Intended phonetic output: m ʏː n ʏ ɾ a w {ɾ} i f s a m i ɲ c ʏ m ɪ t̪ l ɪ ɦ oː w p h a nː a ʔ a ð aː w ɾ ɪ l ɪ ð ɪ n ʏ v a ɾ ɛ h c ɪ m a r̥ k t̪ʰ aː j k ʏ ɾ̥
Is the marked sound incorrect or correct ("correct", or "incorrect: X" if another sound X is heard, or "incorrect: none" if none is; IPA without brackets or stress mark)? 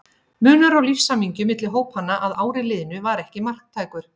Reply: incorrect: l